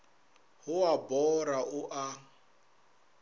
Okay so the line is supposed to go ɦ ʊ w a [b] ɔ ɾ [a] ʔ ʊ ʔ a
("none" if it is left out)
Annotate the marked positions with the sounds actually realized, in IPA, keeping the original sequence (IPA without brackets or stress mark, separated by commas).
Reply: b, a